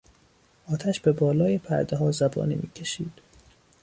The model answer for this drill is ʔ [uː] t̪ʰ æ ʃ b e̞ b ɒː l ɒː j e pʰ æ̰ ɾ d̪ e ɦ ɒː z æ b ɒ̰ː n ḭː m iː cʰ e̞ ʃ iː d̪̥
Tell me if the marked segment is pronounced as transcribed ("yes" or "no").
no